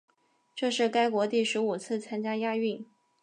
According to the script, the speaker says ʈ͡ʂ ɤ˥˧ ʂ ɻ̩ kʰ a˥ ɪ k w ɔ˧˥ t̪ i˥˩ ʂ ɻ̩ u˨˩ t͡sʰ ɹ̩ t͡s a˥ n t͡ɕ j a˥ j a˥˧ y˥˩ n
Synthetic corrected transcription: ʈ͡ʂ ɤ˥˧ ʂ ɻ̩ k a˥ ɪ k w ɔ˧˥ t̪ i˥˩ ʂ ɻ̩ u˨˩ t͡sʰ ɹ̩ t͡sʰ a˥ n t͡ɕ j a˥ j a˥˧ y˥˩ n